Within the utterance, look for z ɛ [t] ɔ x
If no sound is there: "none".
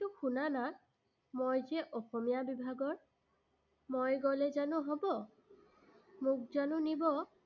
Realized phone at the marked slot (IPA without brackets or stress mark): ʔ